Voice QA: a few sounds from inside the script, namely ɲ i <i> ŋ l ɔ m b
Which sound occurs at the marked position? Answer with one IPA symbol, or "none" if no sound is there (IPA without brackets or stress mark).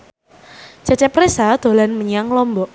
a